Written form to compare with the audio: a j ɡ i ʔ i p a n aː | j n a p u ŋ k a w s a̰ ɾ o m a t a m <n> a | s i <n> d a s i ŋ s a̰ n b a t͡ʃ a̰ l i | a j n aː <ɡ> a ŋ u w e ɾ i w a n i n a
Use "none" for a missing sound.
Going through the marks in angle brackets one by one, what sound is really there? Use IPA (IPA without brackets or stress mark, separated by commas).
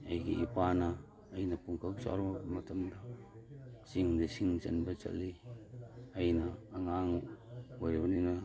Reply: d, ŋ, ŋ